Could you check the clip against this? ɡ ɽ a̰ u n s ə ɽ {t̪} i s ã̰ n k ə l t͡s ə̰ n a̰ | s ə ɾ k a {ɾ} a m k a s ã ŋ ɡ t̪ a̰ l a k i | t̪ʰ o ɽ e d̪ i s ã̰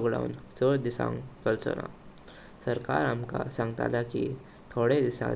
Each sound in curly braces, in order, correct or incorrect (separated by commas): incorrect, correct